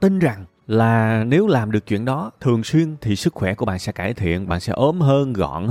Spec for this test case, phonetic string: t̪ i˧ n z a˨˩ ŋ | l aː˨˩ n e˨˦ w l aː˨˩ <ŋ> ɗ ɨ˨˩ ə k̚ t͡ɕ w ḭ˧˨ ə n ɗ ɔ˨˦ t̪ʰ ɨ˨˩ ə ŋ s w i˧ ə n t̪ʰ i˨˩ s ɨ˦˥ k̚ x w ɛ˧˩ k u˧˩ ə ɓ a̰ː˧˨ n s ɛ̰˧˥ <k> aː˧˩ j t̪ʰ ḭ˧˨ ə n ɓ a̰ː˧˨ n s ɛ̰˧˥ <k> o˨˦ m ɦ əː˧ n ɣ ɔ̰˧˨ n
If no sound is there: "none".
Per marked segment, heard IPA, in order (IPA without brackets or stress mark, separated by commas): m, k, ʔ